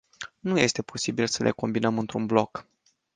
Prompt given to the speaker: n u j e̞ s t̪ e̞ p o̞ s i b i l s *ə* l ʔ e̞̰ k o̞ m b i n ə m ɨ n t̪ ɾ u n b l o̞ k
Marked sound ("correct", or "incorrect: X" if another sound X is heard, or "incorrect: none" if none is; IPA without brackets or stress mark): correct